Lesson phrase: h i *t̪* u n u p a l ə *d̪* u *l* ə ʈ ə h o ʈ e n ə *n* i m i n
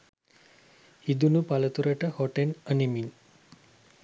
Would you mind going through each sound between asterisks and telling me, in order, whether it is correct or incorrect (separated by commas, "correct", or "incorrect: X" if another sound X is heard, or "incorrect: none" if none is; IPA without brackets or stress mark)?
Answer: incorrect: d̪, incorrect: t̪, incorrect: ɾ, correct